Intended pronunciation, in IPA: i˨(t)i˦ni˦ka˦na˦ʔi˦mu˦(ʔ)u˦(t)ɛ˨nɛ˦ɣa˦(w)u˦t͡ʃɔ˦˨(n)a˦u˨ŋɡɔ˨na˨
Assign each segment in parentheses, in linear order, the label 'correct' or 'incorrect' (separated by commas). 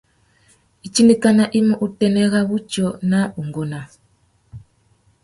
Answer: incorrect, correct, correct, incorrect, correct